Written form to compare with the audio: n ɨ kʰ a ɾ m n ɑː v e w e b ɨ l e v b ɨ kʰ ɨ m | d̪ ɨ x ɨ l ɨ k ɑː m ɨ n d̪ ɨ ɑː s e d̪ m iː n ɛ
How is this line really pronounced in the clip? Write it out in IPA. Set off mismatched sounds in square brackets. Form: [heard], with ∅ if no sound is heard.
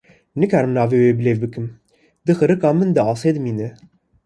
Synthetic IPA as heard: n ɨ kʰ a ɾ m n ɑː v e w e b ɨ l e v b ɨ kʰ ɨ m | d̪ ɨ x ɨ [ɾ] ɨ k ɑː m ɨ n d̪ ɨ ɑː s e d̪ m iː n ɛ